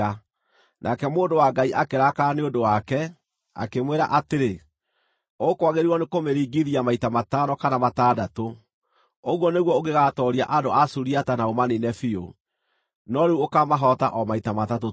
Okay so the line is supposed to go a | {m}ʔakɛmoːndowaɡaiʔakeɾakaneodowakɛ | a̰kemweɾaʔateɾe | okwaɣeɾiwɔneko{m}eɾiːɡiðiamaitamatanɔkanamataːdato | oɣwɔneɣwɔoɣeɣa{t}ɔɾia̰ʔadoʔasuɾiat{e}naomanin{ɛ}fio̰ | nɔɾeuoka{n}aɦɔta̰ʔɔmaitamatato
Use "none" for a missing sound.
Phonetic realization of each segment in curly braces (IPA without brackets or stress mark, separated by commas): n, m, t, a, ɛ, m